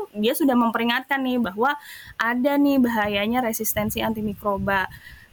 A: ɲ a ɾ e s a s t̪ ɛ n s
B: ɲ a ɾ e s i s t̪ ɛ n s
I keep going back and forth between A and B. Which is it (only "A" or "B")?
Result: B